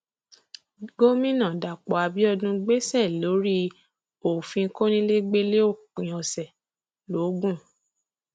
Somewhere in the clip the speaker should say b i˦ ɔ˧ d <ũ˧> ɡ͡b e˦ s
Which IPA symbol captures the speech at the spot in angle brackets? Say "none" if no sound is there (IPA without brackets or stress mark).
ũ˧